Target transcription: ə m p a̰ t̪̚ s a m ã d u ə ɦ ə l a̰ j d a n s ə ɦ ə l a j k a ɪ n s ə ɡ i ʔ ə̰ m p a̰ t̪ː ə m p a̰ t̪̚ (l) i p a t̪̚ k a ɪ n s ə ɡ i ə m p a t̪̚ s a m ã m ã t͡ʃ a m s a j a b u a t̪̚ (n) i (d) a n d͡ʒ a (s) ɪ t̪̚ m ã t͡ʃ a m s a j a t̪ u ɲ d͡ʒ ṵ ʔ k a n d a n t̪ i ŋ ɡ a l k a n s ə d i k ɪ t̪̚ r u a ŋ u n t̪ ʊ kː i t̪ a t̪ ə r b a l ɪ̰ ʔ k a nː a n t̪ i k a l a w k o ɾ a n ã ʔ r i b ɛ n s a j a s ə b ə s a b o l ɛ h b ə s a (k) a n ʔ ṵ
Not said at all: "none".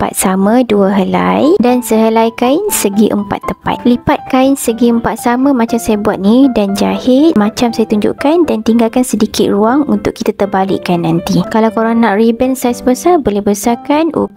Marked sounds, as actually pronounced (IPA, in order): l, n, d, h, k

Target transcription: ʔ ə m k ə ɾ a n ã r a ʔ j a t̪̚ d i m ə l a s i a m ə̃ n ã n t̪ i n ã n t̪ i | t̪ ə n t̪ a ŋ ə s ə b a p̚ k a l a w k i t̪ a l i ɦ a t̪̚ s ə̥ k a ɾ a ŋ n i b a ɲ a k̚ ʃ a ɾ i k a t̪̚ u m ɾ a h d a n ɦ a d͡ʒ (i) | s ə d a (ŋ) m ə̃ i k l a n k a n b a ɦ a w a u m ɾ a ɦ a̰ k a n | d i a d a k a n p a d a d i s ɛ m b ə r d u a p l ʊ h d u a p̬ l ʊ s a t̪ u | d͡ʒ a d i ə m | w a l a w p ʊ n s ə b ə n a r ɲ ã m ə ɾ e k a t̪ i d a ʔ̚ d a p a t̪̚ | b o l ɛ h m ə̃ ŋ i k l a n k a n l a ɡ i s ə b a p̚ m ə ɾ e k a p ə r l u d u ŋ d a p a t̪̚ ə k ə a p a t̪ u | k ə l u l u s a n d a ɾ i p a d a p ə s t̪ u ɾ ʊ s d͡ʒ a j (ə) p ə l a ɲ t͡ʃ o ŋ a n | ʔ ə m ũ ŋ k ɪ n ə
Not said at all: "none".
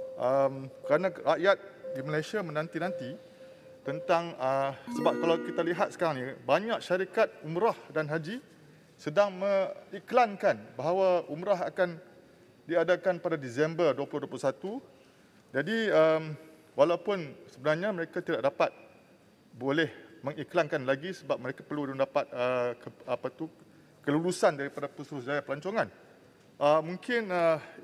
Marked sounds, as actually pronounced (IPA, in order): i, ŋ, a

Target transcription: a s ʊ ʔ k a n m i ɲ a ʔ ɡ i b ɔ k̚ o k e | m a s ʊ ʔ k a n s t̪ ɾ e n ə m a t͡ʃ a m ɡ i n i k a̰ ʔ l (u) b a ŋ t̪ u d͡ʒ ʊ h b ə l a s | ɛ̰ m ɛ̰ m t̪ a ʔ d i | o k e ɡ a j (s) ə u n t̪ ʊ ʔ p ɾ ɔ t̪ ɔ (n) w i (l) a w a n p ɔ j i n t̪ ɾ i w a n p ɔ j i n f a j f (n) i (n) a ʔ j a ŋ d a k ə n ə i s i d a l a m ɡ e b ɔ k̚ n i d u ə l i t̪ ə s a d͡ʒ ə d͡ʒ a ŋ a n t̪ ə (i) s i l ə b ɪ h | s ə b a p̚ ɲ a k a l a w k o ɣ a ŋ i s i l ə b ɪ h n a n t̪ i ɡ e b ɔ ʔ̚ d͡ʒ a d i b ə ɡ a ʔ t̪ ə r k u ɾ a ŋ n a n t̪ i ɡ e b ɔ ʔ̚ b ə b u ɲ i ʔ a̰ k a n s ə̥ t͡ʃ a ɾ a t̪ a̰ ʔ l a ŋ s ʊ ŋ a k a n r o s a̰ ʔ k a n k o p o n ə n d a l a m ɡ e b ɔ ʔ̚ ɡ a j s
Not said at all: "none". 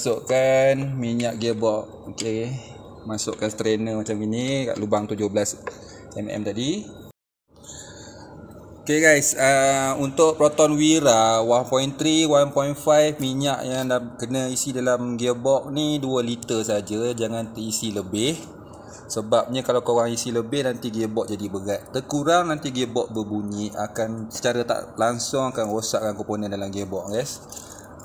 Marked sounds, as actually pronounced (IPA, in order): u, s, n, ɾ, m, ɲ, i

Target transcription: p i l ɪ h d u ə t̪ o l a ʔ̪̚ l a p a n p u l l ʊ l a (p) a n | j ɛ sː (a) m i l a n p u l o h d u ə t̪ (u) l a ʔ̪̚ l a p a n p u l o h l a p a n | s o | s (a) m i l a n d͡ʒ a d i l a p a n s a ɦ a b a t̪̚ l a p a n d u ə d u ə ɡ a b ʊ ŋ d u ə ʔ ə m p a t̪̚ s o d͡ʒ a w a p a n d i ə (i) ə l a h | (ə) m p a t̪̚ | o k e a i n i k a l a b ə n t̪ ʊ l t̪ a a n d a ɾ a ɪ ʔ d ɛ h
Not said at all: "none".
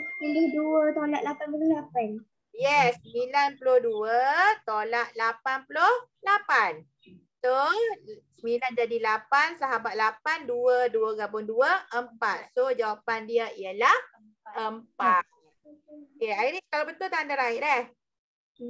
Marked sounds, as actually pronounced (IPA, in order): p, ə, o, ə, i, ə

